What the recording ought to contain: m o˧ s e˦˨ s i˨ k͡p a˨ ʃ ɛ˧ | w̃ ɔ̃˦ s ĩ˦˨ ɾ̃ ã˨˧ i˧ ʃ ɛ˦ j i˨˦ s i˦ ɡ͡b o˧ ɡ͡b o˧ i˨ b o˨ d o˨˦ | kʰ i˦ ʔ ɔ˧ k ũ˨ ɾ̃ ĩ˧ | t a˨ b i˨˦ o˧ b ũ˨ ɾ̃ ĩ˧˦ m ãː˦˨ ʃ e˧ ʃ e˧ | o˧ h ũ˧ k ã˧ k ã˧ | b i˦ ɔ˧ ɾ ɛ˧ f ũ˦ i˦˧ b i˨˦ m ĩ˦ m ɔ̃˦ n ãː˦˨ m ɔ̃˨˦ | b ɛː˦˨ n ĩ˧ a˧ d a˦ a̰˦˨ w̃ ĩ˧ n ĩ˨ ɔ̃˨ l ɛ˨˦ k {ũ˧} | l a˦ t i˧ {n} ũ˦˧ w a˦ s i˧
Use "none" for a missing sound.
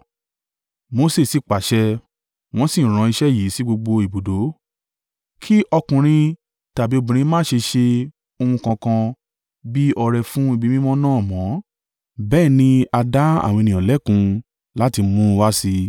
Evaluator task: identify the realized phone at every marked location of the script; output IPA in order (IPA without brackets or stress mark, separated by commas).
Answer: ũ˧, m